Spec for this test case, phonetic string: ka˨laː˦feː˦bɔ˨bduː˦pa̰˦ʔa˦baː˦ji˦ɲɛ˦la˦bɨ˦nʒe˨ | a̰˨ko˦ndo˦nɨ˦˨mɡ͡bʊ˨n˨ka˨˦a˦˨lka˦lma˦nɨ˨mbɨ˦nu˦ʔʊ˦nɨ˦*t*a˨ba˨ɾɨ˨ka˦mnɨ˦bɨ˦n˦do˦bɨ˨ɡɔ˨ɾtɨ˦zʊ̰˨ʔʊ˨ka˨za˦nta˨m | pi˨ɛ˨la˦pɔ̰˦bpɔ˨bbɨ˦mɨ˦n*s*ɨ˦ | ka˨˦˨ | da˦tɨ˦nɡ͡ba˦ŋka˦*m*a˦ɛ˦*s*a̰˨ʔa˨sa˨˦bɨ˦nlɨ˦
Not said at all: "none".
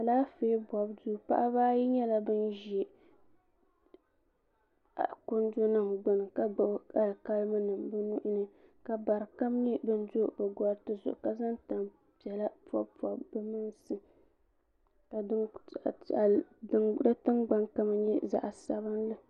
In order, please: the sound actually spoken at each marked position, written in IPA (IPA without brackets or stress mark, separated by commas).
k, s, m, z